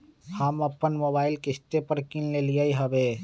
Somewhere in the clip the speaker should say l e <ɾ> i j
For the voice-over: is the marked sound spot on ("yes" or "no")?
no